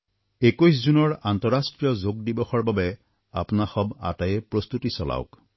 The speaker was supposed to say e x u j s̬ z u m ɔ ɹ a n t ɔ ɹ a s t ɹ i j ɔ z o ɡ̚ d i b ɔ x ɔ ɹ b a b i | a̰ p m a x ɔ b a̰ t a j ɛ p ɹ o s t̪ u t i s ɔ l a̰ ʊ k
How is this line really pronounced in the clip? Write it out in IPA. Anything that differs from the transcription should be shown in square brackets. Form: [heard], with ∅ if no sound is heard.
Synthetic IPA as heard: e [k] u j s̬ z u [n] ɔ ɹ a n t ɔ ɹ a s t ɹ i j ɔ z o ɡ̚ d i b ɔ x ɔ ɹ b a b [ɛ] | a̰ p [n] a x ɔ b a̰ t a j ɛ p ɹ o s t̪ u t i s ɔ l a̰ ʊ k